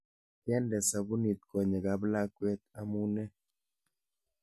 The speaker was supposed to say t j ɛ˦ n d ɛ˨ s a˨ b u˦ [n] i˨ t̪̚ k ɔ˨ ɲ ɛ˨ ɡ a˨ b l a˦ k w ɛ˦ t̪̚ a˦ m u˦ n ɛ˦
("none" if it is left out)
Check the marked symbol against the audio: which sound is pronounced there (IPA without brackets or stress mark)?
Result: n